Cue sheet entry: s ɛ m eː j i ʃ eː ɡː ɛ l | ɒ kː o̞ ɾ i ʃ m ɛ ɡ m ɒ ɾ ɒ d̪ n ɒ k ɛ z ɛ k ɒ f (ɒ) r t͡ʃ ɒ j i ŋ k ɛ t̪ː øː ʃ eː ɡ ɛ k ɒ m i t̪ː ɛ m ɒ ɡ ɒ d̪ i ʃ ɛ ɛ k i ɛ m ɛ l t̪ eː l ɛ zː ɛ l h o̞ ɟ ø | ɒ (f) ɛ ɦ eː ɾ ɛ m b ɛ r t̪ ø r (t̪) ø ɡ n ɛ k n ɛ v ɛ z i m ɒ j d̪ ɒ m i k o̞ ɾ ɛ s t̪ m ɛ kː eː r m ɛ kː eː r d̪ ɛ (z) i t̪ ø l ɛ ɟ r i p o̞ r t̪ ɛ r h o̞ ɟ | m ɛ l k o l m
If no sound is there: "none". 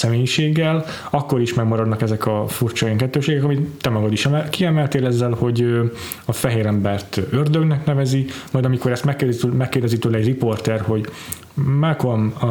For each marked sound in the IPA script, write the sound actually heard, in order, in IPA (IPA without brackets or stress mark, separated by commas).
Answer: u, f, d̪, z